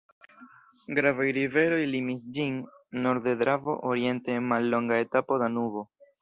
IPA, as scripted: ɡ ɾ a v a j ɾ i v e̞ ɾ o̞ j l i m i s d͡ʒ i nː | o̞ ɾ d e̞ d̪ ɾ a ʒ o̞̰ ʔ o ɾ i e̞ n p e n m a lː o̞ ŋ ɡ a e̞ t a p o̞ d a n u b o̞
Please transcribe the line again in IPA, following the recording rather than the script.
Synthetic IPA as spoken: ɡ ɾ a v a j ɾ i v e̞ ɾ o̞ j l i m i s d͡ʒ i nː | o̞ ɾ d e̞ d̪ ɾ a v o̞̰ ʔ o ɾ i e̞ n t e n m a lː o̞ ŋ ɡ a e̞ t a p o̞ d a n u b o̞